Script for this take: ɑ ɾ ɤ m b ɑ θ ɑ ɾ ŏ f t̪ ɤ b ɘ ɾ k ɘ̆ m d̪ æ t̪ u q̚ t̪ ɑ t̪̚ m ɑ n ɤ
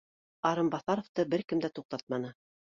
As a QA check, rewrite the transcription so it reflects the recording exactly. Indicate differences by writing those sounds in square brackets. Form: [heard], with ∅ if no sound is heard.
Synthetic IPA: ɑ ɾ ɤ m b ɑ θ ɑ ɾ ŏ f t̪ ɤ b ɘ ɾ k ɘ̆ m d̪ æ t̪ u q̚ t̪ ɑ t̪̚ m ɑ n ɤ